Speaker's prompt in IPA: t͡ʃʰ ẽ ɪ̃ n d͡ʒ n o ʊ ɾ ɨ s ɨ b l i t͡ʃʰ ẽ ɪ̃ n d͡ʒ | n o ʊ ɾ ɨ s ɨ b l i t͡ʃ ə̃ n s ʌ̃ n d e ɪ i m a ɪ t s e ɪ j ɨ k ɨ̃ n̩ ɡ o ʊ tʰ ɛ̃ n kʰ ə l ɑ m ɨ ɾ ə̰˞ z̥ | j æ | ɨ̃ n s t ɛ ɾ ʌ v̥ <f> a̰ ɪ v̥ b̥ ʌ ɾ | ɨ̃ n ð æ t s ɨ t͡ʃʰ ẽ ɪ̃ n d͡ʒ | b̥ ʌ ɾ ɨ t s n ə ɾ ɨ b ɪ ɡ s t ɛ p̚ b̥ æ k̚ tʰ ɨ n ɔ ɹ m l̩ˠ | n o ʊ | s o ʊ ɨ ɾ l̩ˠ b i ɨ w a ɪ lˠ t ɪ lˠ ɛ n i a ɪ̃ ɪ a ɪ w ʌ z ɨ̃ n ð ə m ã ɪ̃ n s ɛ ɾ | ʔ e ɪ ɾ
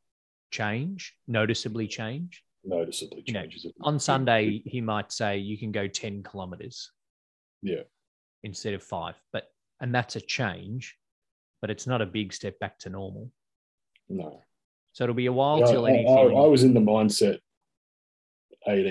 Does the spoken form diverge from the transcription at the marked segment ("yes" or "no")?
no